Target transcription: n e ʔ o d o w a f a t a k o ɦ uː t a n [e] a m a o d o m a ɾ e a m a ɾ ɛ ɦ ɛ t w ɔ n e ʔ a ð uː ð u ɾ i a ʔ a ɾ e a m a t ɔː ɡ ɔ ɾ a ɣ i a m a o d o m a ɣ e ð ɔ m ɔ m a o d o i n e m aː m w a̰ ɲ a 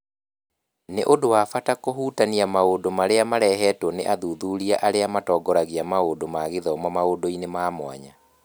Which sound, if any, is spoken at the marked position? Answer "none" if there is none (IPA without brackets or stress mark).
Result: i